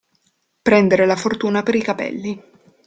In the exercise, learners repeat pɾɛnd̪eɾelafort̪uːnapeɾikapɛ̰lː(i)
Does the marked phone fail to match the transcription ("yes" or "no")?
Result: no